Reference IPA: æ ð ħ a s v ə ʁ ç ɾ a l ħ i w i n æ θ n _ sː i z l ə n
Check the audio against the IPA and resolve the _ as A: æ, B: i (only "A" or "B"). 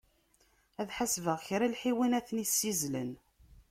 B